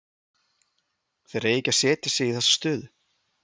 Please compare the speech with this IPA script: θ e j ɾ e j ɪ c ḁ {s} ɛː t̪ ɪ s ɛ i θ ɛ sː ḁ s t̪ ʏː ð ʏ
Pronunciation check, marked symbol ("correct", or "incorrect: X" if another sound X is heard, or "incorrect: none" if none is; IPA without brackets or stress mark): correct